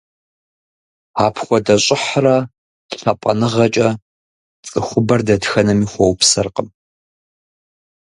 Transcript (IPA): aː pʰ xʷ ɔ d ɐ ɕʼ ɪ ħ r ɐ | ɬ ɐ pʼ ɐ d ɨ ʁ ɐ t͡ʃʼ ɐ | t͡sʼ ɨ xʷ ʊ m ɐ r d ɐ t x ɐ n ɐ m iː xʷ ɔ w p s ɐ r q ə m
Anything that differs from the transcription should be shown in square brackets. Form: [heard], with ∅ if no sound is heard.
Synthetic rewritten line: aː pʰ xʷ ɔ d ɐ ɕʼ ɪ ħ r ɐ | ɬ ɐ pʼ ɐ [n] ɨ ʁ ɐ t͡ʃʼ ɐ | t͡sʼ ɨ xʷ ʊ [b] ɐ r d ɐ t x ɐ n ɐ m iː xʷ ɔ w p s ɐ r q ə m

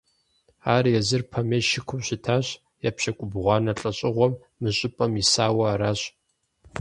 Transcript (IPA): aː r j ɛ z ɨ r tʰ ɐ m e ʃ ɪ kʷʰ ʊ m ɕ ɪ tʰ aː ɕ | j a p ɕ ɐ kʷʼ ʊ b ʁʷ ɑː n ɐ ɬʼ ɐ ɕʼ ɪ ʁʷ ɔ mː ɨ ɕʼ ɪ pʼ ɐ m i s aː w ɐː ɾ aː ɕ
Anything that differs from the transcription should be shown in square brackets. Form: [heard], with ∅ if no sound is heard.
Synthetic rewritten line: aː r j ɛ z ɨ r [pʰ] ɐ m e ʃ ɪ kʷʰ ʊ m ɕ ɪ tʰ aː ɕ | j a p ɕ ɐ kʷʼ ʊ b ʁʷ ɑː n ɐ ɬʼ ɐ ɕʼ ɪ ʁʷ ɔ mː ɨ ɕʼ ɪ pʼ ɐ m i s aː w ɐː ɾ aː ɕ

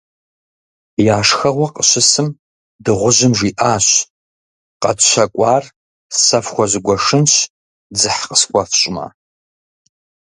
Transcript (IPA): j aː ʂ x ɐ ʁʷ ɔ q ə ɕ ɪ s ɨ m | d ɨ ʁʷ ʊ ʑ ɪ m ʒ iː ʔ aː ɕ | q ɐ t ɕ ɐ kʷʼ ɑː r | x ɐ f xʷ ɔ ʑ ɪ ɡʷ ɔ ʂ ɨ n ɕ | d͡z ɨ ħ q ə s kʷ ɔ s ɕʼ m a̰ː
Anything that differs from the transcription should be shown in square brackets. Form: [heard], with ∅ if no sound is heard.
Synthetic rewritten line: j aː ʂ x ɐ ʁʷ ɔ q ə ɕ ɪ s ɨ m | d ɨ ʁʷ ʊ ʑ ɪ m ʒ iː ʔ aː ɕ | q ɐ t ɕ ɐ kʷʼ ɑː r | [s] ɐ f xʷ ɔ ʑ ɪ ɡʷ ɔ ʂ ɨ n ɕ | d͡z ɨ ħ q ə s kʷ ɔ [f] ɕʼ m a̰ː

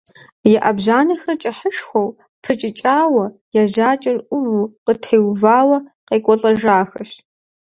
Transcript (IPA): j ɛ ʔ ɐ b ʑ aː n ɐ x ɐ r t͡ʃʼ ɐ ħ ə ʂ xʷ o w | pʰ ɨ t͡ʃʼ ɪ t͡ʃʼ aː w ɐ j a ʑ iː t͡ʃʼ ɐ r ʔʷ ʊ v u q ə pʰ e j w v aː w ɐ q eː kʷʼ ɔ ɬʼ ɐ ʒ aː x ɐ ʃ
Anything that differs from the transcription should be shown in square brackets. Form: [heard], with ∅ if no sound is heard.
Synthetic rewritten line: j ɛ ʔ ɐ b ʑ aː n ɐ x ɐ r t͡ʃʼ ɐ ħ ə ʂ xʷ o w | pʰ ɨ t͡ʃʼ ɪ t͡ʃʼ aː w ɐ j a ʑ [aː] t͡ʃʼ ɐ r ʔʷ ʊ v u q ə [tʰ] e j w v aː w ɐ q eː kʷʼ ɔ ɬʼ ɐ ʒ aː x ɐ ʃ

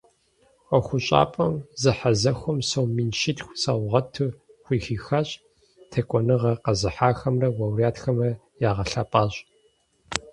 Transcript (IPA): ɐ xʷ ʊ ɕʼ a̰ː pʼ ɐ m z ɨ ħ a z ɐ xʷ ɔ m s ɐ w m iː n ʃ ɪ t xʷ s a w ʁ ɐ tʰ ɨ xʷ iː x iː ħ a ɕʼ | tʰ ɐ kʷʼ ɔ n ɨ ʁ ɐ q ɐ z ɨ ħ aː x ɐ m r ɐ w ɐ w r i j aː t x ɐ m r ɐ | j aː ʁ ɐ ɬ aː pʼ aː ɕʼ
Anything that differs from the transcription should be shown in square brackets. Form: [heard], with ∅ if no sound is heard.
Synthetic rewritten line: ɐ xʷ ʊ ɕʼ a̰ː pʼ ɐ m z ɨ ħ a z ɐ xʷ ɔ m s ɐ w m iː n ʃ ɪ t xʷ s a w ʁ ɐ tʰ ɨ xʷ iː x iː [x] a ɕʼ | tʰ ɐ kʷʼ ɔ n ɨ ʁ ɐ q ɐ z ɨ ħ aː x ɐ m r ɐ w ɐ w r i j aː t x ɐ m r ɐ | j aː ʁ ɐ ɬ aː pʼ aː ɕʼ

